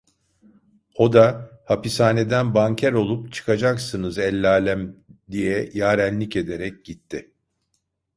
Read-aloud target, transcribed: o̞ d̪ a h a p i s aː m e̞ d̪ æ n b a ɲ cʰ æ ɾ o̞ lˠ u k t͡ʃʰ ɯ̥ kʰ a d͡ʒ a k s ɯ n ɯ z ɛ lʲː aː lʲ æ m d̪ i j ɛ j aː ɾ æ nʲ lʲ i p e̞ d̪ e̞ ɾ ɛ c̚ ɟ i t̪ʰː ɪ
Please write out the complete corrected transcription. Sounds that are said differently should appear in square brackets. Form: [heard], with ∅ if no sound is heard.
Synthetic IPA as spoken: o̞ d̪ a h a p i s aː [n] e̞ d̪ æ n b a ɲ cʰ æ ɾ o̞ lˠ u [p] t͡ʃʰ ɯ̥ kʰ a d͡ʒ a k s ɯ n ɯ z ɛ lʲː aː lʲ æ m d̪ i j ɛ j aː ɾ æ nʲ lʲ i [c] e̞ d̪ e̞ ɾ ɛ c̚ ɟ i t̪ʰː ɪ